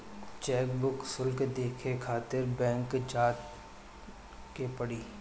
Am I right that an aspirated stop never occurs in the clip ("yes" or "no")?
no